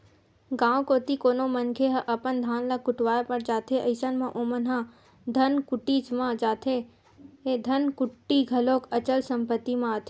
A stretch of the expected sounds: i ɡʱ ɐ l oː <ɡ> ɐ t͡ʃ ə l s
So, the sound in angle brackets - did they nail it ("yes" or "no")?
no